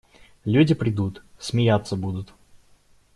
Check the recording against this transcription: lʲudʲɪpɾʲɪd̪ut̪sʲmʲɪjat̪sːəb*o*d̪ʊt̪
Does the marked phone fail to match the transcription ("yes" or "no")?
yes